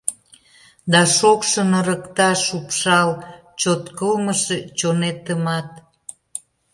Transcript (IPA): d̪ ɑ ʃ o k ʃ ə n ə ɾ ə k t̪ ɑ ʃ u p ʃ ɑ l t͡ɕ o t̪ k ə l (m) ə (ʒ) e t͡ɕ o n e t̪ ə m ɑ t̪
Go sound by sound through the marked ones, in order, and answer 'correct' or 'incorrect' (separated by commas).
correct, incorrect